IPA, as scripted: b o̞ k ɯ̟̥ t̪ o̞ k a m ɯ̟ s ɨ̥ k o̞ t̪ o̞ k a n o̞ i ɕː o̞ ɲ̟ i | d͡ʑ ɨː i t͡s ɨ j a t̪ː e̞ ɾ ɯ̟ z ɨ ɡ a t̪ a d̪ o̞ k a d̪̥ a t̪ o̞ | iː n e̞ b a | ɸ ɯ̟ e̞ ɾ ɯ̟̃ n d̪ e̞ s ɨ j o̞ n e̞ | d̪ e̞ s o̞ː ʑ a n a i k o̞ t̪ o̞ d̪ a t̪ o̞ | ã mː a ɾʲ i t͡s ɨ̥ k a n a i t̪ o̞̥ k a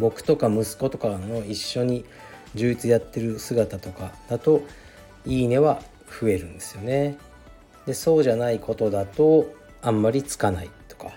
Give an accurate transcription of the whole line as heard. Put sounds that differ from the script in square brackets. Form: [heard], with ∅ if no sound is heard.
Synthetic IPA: b o̞ k ɯ̟̥ t̪ o̞ k a m ɯ̟ s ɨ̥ k o̞ t̪ o̞ k a n o̞ i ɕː o̞ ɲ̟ i | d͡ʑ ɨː i t͡s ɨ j a t̪ː e̞ ɾ ɯ̟ [s] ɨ ɡ a t̪ a [t̪] o̞ k a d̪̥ a t̪ o̞ | iː n e̞ [β] a | ɸ ɯ̟ e̞ ɾ ɯ̟̃ n d̪ e̞ s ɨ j o̞ n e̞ | d̪ e̞ s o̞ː ʑ a n a i k o̞ t̪ o̞ d̪ a t̪ o̞ | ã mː a ɾʲ i t͡s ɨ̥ k a n a i t̪ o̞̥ k a